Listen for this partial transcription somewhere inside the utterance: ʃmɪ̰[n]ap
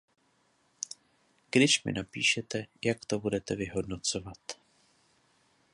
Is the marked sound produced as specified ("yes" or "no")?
yes